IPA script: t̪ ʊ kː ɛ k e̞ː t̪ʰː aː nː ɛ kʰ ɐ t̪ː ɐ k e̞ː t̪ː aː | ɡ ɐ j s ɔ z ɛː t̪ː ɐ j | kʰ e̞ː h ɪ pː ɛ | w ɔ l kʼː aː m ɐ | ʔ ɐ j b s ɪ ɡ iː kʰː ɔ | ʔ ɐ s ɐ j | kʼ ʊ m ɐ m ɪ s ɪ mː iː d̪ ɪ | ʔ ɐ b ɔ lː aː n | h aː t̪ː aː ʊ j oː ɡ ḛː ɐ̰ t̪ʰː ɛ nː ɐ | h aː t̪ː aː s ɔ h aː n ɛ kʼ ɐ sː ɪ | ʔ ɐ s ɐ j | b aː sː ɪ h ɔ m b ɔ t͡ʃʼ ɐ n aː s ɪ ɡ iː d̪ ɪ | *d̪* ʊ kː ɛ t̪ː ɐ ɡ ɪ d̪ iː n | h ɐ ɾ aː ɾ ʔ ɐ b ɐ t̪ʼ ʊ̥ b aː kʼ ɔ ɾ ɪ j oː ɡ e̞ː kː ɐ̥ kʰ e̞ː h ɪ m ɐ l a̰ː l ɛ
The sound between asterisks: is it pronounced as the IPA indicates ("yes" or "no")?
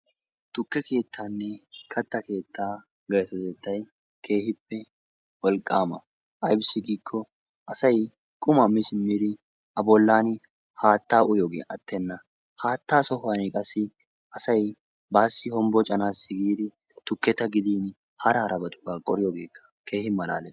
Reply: no